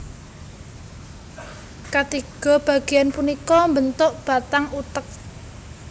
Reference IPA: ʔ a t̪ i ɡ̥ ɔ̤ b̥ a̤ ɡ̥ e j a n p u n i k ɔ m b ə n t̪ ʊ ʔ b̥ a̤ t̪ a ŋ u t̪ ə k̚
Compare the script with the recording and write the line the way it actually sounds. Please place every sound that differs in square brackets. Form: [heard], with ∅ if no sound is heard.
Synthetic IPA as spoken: [k] a t̪ i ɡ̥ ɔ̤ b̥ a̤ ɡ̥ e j a n p u n i k ɔ m b ə n t̪ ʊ ʔ b̥ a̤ t̪ a ŋ u t̪ ə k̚